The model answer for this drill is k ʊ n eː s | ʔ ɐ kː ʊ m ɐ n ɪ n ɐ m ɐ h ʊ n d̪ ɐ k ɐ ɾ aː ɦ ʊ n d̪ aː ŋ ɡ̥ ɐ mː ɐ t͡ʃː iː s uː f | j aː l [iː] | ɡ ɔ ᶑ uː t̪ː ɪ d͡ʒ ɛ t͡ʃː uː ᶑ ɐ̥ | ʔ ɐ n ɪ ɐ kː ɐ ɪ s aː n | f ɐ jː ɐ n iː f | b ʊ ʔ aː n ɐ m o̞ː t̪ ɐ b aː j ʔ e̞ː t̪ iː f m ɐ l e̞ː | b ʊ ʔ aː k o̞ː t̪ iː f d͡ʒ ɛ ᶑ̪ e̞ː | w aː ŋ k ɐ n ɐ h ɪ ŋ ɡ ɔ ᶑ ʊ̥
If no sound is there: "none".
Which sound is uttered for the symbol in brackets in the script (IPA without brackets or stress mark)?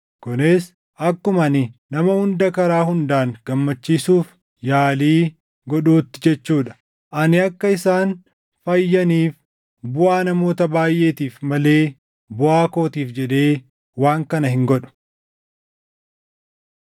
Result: iː